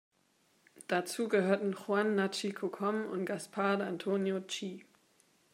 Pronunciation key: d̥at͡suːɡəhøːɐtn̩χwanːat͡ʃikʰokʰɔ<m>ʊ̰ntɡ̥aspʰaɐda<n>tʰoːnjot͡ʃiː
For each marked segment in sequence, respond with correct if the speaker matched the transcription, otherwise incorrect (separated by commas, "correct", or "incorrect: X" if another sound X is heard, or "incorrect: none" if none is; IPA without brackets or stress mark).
correct, correct